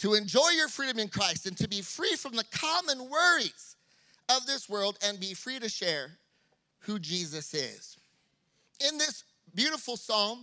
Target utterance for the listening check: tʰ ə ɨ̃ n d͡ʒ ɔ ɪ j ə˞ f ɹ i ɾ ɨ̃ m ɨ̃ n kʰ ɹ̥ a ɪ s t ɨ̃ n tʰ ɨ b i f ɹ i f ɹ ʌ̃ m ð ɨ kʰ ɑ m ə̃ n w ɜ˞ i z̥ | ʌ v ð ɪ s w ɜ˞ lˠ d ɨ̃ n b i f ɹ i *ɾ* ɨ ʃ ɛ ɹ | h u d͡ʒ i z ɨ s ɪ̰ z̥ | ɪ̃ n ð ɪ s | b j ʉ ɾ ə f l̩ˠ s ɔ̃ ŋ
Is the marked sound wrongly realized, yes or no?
no